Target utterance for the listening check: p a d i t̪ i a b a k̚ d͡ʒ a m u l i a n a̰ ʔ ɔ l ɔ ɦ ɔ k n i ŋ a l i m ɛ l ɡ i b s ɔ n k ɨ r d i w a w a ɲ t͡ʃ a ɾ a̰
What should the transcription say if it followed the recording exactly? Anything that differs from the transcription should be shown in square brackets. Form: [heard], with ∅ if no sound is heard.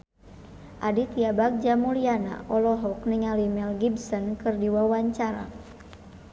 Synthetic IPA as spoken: [ʔ] a d i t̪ i a b a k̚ d͡ʒ a m u l i a n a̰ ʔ ɔ l ɔ ɦ ɔ k n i ŋ a l i m ɛ l ɡ i b s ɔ n k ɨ r d i w a w a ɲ t͡ʃ a ɾ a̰